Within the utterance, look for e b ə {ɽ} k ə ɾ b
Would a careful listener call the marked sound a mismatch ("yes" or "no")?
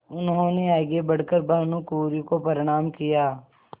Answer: no